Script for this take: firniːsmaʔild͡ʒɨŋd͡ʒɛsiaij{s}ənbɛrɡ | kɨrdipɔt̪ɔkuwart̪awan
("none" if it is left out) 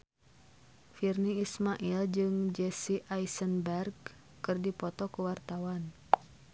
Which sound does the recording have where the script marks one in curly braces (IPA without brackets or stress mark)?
s